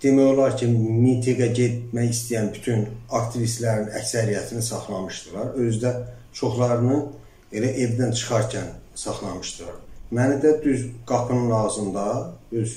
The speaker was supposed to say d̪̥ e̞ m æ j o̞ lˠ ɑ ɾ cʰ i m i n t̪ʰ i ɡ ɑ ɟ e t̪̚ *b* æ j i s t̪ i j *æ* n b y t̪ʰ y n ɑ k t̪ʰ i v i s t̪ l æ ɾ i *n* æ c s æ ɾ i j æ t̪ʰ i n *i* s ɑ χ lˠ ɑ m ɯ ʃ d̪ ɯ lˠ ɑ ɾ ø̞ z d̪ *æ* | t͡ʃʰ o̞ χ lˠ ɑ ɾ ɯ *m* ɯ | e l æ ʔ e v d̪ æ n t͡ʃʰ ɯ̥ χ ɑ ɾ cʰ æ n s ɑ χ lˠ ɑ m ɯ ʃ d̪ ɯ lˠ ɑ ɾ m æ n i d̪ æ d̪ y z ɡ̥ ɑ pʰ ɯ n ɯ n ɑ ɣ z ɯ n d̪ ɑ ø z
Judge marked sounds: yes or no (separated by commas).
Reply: no, yes, yes, yes, yes, no